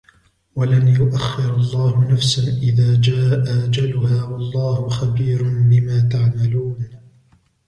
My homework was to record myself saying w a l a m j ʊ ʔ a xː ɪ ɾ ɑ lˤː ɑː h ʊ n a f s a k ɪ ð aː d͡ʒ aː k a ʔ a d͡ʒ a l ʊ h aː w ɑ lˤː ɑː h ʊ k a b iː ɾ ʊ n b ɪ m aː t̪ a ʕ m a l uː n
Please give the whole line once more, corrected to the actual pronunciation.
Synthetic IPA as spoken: w a l a n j ʊ ʔ a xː ɪ ɾ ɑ lˤː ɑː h ʊ n a f s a ʔ ɪ ð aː d͡ʒ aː ʔ a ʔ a d͡ʒ a l ʊ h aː w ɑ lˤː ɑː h ʊ x a b iː ɾ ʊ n b ɪ m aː t̪ a ʕ m a l uː n